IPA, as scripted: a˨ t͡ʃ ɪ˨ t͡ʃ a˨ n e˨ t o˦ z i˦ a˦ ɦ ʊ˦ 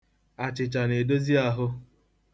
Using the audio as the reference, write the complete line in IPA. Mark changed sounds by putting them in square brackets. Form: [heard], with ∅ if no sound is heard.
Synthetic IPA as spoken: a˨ t͡ʃ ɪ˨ t͡ʃ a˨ n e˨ [d] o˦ z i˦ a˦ ɦ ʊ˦